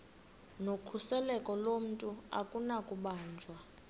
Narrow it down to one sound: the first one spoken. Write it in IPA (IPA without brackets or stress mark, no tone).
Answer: n